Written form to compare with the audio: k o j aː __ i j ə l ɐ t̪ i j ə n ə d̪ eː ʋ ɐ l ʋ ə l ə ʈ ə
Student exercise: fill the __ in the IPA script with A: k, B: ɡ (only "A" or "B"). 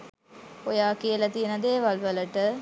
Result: A